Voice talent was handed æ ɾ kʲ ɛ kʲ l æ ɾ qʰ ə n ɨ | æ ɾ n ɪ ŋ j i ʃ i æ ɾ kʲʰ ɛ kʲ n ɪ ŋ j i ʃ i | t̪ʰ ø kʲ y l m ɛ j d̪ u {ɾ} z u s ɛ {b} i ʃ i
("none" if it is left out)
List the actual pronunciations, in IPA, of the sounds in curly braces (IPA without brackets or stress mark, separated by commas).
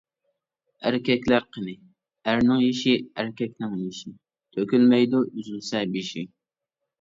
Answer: none, b